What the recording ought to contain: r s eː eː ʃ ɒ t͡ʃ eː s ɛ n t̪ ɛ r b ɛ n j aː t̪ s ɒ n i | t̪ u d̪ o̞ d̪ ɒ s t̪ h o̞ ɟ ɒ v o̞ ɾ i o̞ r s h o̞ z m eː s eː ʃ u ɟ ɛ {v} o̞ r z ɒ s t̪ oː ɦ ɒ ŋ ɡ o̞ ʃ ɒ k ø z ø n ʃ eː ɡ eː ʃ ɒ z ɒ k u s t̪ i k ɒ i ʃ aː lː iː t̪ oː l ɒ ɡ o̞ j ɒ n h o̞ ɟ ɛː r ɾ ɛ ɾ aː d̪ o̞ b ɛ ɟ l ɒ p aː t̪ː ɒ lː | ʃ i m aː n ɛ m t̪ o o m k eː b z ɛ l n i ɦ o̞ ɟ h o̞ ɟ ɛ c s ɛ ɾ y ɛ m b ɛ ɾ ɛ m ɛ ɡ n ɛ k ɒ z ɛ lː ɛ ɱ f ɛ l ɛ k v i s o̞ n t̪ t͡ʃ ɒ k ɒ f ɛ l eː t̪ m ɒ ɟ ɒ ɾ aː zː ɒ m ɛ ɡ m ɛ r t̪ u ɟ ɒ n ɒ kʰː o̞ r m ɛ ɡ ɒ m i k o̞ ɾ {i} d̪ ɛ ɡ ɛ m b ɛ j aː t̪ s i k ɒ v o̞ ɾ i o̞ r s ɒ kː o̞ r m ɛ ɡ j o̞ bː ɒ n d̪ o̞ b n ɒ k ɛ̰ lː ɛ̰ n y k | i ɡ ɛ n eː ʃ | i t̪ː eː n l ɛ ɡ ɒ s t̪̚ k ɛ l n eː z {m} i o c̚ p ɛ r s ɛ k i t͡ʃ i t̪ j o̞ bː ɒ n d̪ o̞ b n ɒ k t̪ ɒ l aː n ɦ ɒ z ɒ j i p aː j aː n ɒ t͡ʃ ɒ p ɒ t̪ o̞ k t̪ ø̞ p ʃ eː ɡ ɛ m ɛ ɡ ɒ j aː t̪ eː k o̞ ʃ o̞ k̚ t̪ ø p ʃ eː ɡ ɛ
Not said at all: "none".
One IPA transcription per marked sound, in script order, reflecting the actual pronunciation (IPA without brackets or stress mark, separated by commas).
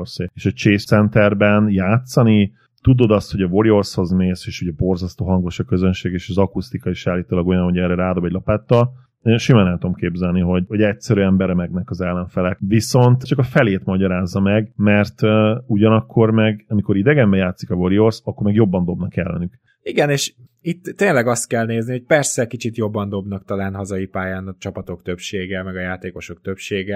b, i, n